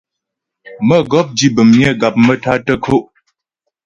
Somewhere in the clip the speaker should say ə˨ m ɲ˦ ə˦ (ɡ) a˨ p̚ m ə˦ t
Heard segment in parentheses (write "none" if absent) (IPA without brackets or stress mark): ɡ